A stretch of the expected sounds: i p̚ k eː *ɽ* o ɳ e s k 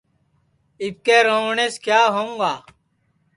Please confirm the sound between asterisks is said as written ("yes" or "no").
no